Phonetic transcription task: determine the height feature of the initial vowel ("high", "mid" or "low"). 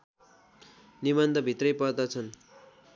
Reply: high